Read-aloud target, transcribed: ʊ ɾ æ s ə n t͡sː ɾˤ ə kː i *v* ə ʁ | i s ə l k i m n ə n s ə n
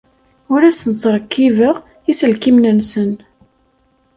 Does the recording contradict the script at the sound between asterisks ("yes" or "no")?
no